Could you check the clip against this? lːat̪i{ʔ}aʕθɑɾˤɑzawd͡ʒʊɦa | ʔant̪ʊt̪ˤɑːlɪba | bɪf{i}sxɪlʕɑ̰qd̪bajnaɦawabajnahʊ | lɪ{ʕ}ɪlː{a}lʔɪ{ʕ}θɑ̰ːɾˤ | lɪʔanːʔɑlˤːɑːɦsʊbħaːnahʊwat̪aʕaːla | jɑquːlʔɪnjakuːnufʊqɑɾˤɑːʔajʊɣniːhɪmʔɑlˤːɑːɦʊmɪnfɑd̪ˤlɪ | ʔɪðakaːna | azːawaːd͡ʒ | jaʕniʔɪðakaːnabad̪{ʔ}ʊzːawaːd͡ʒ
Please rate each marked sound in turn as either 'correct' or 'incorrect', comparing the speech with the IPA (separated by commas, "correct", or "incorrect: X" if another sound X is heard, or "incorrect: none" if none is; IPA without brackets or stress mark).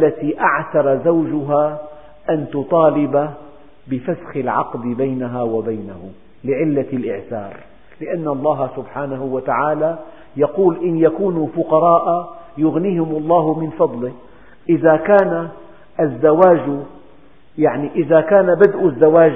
correct, incorrect: a, correct, correct, correct, correct